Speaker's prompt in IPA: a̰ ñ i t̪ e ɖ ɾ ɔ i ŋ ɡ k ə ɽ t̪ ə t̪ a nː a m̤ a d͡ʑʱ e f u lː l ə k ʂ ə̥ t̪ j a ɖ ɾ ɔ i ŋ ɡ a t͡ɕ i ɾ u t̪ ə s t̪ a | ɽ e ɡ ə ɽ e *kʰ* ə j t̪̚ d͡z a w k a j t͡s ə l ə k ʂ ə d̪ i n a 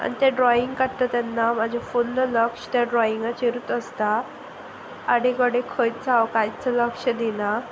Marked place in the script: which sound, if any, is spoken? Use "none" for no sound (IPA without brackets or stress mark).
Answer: kʰ